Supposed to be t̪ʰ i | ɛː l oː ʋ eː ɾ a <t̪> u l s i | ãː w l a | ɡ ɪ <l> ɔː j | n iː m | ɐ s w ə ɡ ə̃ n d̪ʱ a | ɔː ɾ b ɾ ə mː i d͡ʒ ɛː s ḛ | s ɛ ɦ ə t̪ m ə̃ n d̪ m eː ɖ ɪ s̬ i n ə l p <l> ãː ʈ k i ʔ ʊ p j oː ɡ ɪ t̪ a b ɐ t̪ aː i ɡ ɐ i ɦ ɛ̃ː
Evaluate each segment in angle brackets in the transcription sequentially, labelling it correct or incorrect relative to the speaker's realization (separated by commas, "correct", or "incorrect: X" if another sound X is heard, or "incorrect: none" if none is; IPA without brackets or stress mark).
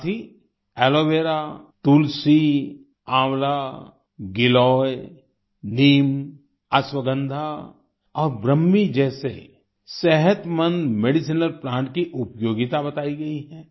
correct, correct, incorrect: ɾ